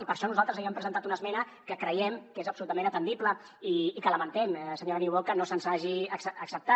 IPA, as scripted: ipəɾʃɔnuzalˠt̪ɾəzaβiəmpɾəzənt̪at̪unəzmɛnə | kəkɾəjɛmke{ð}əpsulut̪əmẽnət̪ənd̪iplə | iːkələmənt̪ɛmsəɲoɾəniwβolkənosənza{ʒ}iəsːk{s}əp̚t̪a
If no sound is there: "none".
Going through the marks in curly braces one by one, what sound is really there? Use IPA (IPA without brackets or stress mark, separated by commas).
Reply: z, ʒ, s